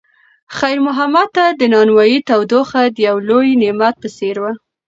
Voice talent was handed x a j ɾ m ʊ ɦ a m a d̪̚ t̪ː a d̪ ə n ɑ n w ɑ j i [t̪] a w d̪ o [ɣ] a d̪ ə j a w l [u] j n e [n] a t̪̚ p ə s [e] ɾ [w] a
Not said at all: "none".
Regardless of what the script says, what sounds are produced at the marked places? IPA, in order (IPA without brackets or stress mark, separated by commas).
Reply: t̪, x, o, m, e, w